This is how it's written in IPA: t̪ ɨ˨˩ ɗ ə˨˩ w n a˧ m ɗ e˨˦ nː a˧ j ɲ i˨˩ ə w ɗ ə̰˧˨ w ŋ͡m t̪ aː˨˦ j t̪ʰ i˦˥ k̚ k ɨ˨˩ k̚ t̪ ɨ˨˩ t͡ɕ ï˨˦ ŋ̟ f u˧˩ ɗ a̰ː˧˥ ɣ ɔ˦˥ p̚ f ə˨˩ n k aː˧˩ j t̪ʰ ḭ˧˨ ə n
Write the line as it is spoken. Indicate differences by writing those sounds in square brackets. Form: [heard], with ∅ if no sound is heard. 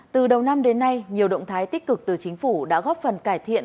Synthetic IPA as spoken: t̪ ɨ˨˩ ɗ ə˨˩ w n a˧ m ɗ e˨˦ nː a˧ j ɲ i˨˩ ə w ɗ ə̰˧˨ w ŋ͡m [t̪ʰ] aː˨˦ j [t̪] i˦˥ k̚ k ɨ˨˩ k̚ t̪ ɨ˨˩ t͡ɕ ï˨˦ ŋ̟ f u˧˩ ɗ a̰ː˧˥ ɣ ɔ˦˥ p̚ f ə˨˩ n k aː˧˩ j t̪ʰ ḭ˧˨ ə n